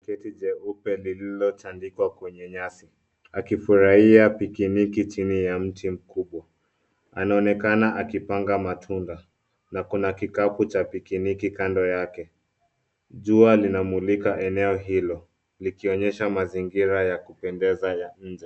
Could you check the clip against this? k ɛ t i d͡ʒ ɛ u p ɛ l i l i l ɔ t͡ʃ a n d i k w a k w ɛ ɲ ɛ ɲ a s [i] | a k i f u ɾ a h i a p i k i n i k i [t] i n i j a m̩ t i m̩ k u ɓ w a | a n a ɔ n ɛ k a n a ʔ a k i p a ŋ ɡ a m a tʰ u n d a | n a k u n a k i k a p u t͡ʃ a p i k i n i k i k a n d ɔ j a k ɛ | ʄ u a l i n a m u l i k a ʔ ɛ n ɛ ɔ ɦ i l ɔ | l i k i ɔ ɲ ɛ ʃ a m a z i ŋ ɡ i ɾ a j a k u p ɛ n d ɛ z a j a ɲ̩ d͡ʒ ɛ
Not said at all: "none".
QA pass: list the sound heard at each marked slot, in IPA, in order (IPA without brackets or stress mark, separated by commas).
i, t͡ʃ